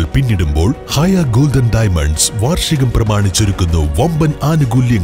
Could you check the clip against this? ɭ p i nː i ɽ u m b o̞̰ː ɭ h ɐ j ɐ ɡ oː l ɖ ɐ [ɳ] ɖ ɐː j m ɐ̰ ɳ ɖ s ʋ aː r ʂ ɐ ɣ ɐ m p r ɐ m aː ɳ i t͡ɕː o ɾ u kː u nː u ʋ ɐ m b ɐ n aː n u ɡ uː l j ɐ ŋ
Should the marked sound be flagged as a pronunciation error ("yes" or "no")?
yes